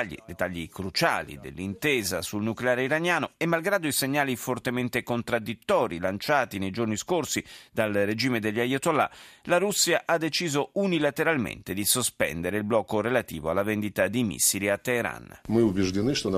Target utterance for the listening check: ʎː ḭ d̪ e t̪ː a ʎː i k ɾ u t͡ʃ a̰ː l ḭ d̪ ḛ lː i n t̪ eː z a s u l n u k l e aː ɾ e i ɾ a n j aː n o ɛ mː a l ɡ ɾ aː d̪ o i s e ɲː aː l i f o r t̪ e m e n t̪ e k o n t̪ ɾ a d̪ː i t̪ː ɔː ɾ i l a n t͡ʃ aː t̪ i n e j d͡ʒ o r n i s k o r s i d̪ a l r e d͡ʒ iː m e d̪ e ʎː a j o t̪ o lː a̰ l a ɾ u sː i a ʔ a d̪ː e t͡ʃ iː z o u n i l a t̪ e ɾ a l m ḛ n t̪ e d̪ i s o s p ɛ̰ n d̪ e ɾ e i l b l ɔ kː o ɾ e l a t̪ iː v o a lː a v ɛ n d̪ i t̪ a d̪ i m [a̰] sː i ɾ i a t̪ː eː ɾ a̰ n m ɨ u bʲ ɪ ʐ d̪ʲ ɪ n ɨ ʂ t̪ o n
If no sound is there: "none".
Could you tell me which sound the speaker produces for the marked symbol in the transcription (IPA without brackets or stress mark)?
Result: ḭ